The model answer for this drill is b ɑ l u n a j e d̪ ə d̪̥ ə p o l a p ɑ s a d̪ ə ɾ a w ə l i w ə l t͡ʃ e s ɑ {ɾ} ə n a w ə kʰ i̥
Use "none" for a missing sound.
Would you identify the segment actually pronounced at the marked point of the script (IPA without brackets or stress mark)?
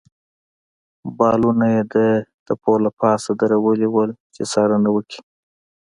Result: ɾ